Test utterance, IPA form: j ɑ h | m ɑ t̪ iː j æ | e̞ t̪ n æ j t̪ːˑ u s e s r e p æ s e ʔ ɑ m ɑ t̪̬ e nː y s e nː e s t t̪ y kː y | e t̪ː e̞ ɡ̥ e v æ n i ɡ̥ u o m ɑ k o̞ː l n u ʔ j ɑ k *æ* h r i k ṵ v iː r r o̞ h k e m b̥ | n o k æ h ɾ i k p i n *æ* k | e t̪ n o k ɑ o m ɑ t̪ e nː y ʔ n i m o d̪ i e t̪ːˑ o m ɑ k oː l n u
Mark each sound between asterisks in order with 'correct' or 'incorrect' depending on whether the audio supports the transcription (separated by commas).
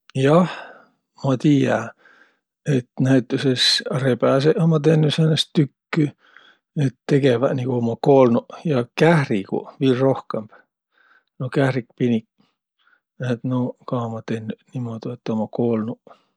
correct, incorrect